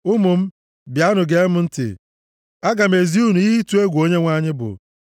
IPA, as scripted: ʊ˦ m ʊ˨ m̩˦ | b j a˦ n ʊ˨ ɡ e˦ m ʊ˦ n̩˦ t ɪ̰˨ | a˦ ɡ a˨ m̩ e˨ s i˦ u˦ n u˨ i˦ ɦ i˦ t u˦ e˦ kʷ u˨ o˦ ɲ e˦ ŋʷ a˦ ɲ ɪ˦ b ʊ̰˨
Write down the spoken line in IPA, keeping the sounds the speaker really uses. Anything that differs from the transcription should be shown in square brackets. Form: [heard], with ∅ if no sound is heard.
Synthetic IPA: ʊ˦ m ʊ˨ m̩˦ | b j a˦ n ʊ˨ ɡ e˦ m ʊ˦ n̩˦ t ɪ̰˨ | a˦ ɡ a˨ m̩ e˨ [z] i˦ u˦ n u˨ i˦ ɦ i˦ t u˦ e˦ [ɡʷ] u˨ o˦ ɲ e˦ ŋʷ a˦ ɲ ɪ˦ b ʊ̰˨

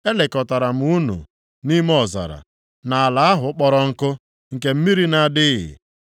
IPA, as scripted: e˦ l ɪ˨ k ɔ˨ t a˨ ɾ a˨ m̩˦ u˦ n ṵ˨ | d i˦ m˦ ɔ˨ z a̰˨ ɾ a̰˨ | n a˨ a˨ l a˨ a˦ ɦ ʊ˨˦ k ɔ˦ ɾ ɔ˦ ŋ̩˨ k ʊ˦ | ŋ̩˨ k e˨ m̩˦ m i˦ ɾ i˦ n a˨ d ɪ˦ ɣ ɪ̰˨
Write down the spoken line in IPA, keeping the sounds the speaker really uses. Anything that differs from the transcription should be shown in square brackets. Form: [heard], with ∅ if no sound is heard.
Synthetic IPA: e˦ l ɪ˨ k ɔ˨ t a˨ ɾ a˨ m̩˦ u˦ n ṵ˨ | [n] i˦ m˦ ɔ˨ z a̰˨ ɾ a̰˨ | n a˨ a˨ l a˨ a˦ ɦ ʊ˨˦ [k͡p] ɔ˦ ɾ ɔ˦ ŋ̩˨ k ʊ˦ | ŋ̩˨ k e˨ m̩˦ m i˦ ɾ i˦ n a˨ d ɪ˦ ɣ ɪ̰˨

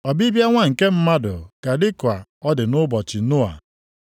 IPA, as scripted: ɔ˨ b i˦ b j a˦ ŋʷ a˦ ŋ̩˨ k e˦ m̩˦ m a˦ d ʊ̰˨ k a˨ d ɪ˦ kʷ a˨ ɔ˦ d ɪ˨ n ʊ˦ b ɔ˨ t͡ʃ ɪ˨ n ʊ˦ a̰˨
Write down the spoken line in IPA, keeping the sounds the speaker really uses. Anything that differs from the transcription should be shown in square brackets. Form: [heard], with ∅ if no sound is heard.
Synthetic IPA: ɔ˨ b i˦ b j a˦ ŋʷ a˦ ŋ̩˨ k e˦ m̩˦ m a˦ d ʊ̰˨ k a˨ d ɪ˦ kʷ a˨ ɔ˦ d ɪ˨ n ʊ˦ b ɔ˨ t͡ʃ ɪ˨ n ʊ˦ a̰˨

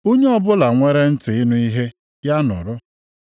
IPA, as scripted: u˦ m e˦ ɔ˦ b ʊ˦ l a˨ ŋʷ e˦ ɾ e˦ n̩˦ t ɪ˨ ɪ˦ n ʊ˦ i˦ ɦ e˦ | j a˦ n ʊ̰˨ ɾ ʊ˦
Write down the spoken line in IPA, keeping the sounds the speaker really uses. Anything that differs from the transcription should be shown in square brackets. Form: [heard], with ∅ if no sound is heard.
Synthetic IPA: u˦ [ɲ] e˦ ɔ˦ b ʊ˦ l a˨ ŋʷ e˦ ɾ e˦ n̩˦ t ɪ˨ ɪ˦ n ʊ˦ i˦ ɦ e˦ | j a˦ n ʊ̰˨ ɾ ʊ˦

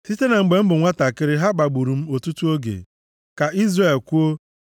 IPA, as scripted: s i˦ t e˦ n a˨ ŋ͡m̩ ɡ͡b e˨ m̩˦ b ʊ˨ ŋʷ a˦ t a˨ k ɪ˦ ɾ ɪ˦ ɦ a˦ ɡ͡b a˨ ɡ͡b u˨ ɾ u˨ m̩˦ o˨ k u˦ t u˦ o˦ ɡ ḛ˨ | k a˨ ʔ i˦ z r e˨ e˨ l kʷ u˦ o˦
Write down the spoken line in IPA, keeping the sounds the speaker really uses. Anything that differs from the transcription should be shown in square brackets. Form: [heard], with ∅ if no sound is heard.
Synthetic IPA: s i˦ t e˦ n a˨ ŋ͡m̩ ɡ͡b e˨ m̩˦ b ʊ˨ ŋʷ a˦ t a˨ k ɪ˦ ɾ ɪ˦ ɦ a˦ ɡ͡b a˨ ɡ͡b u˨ ɾ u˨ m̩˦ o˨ [t] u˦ t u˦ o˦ ɡ ḛ˨ | k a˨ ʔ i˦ z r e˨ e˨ l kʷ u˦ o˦

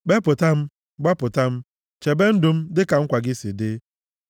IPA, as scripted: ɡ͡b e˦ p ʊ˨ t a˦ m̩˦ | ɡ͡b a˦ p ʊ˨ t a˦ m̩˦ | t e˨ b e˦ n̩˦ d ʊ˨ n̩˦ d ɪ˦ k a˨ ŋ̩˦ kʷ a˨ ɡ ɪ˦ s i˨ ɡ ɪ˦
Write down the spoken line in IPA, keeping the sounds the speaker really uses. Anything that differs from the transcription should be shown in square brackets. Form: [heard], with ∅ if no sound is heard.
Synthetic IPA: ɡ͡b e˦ p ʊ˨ t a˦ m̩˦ | ɡ͡b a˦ p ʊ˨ t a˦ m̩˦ | [t͡ʃ] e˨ b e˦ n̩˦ d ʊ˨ [m̩˦] d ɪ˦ k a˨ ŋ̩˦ kʷ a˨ ɡ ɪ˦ s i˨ [d] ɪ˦

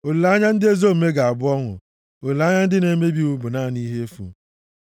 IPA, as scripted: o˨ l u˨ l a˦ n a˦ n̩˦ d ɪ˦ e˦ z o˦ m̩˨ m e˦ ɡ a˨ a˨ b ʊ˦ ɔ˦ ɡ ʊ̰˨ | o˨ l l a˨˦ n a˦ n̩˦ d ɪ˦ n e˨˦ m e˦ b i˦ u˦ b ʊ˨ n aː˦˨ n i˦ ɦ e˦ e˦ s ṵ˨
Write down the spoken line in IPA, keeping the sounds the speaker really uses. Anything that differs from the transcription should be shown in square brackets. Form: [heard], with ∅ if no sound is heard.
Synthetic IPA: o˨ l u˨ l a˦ [ɲ] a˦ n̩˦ d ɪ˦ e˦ z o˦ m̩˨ m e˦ ɡ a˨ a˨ b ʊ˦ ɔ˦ [ŋ] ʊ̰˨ | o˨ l l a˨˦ [ɲ] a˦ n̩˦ d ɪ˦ n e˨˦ m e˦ b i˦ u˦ b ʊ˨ n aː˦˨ n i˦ ɦ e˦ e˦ [f] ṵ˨

